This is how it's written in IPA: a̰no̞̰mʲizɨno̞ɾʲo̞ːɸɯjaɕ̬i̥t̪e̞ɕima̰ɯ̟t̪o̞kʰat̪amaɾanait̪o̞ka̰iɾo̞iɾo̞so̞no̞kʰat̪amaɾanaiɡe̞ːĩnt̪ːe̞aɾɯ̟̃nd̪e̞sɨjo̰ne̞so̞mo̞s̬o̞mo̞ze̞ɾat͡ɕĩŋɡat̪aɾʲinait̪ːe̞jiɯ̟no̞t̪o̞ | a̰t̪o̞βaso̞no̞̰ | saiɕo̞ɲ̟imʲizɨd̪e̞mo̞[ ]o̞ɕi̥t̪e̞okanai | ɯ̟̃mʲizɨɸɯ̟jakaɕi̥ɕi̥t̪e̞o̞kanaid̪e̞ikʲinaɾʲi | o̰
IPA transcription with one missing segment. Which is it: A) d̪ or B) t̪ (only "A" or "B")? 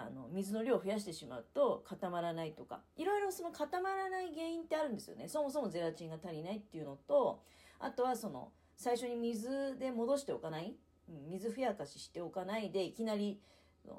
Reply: A